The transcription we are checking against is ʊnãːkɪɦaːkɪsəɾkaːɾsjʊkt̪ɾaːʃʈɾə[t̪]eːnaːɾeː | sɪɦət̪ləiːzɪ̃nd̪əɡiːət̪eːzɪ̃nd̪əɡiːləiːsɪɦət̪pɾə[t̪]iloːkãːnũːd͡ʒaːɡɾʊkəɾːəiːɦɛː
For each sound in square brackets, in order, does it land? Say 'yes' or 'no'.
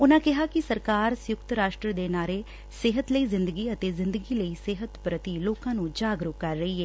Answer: no, yes

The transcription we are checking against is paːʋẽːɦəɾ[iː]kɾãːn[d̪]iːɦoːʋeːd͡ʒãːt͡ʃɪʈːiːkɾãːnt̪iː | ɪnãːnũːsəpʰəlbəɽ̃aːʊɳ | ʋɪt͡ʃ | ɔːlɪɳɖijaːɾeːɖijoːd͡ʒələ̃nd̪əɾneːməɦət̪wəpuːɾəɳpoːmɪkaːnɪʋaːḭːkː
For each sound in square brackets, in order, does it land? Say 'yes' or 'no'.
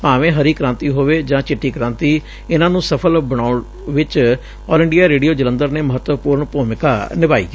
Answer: yes, no

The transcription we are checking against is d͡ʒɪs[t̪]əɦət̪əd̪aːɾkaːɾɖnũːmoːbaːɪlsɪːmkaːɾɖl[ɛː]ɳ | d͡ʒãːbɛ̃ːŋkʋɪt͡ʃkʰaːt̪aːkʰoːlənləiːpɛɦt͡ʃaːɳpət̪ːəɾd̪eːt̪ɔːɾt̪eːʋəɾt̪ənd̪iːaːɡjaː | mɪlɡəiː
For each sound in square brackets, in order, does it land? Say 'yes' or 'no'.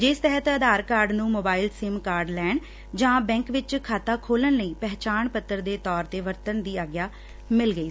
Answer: yes, yes

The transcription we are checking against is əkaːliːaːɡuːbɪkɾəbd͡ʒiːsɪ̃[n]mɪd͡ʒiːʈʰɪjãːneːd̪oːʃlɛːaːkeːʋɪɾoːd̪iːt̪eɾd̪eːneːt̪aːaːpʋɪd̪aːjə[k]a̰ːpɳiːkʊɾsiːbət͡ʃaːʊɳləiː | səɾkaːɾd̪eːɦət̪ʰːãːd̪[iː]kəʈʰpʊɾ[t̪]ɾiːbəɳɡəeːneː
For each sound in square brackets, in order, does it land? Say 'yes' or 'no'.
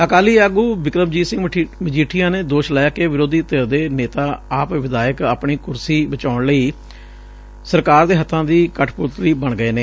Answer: no, yes, yes, yes

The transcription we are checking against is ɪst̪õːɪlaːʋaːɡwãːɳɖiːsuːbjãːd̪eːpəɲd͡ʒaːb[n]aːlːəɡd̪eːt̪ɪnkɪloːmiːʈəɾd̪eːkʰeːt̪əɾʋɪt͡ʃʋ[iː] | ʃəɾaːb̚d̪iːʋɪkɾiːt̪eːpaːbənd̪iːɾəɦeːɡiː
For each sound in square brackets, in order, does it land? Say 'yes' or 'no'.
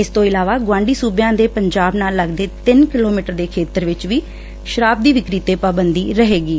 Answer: yes, yes

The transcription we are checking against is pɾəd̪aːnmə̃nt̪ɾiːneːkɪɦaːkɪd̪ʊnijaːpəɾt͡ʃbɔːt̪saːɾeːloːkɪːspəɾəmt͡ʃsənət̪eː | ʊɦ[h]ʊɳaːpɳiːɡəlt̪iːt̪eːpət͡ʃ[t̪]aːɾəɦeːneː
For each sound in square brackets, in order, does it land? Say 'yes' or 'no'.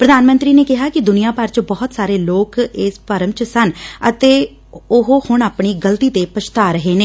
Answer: yes, yes

